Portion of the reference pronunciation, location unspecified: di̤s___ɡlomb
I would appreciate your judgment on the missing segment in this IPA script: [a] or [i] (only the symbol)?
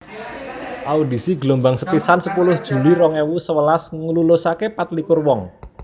i